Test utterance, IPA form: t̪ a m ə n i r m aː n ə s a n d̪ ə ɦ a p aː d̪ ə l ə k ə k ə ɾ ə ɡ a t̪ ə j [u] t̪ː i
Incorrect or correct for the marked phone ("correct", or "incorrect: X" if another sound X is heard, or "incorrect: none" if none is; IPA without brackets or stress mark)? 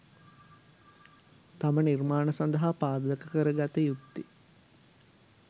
correct